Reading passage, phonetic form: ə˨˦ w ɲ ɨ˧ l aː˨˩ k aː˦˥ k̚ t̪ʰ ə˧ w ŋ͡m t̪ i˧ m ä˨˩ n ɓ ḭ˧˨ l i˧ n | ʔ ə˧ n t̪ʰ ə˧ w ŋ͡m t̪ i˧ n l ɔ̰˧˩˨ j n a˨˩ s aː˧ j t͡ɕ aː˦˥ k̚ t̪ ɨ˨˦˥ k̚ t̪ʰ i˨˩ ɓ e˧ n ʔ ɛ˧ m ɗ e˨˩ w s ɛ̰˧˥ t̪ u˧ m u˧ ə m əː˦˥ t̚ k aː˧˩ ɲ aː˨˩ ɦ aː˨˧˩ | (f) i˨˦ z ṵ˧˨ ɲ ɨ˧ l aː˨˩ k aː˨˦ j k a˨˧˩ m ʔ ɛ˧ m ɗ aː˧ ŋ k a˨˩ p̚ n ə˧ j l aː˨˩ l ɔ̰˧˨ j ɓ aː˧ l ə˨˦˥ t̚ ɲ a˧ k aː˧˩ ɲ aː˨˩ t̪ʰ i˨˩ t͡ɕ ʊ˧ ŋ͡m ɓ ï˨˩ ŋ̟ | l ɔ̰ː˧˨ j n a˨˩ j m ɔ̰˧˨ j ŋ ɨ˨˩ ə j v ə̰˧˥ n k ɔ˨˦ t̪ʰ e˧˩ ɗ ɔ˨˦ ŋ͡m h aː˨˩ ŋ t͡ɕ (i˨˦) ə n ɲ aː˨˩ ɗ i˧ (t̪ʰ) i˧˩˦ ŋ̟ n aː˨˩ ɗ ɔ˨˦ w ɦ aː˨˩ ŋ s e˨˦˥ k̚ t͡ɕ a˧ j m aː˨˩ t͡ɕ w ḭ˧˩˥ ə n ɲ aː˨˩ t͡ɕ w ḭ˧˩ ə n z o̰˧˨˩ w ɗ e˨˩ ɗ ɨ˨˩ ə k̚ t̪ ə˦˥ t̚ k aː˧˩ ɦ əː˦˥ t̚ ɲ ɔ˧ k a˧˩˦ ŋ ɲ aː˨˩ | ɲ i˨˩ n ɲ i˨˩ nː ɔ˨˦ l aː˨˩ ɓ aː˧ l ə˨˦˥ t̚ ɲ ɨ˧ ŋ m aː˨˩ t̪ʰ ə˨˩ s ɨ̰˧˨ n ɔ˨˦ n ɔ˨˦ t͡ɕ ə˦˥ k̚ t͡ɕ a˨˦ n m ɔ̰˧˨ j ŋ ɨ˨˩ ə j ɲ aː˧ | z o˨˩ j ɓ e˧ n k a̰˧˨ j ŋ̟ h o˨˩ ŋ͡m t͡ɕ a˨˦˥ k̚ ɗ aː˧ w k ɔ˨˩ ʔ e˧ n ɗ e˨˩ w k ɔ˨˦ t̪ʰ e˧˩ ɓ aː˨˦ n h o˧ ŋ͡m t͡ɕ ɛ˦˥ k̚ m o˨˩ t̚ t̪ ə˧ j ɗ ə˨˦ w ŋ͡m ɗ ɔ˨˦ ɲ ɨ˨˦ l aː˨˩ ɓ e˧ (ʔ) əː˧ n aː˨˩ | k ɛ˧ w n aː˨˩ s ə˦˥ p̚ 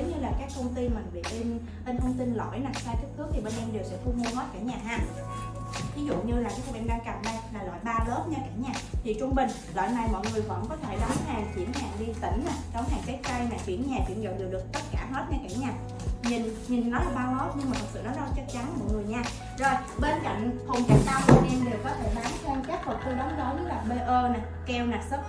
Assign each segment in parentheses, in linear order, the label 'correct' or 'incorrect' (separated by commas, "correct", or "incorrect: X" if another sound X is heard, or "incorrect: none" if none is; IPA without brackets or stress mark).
incorrect: v, incorrect: i˧˩, incorrect: t̪, correct